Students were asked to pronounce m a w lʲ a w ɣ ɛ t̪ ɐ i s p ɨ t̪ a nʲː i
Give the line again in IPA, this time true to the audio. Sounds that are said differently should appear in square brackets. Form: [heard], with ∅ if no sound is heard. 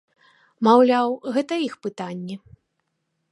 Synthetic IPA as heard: m a w lʲ a w ɣ ɛ t̪ ɐ i [x] p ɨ t̪ a nʲː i